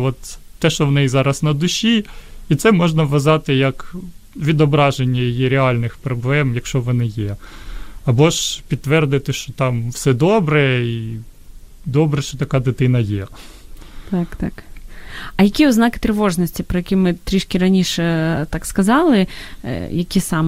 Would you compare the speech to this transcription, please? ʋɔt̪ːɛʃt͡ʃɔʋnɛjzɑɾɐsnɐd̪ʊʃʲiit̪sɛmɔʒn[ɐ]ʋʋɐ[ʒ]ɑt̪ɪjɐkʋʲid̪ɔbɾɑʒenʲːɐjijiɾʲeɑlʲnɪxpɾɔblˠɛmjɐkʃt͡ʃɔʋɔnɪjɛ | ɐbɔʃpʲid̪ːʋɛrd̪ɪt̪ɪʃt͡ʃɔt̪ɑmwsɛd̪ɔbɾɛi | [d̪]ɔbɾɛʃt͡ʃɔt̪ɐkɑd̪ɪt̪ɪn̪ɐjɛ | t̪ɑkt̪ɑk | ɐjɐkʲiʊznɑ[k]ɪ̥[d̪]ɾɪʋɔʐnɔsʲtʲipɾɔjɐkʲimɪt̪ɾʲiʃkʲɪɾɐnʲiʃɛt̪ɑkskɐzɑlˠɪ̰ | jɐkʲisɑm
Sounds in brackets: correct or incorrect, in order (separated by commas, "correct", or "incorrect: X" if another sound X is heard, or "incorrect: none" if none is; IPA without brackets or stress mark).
correct, incorrect: z, correct, correct, incorrect: t̪